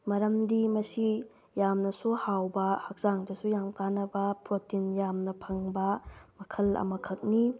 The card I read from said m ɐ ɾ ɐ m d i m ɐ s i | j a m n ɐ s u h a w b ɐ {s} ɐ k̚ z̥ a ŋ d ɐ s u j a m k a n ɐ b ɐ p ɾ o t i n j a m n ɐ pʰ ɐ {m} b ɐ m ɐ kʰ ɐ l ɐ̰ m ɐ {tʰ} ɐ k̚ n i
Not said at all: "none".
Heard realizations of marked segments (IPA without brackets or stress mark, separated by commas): h, ŋ, kʰ